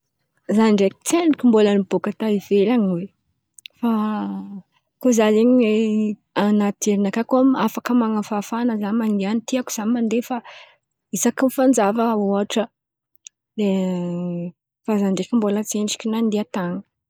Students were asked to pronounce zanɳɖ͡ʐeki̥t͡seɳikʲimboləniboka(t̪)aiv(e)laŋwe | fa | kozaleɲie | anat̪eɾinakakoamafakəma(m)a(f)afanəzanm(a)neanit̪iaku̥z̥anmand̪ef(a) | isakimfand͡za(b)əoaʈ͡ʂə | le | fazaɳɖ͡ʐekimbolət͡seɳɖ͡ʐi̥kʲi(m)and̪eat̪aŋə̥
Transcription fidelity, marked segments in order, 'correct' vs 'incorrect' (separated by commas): correct, correct, incorrect, correct, correct, correct, incorrect, incorrect